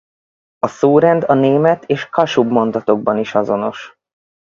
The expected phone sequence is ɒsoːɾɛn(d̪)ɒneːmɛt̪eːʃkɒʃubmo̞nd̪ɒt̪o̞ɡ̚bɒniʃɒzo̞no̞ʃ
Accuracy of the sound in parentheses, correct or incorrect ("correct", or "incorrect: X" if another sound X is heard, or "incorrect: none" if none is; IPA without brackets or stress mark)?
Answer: correct